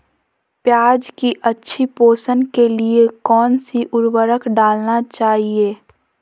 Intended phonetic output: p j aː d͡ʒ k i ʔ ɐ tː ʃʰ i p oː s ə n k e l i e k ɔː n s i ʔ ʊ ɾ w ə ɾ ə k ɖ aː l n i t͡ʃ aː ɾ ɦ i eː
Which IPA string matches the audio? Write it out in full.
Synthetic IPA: p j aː d͡ʒ k i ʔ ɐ tː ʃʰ i p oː s ə n k e l i e k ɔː n s i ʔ ʊ ɾ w ə ɾ ə k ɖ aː l n a t͡ʃ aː ɦ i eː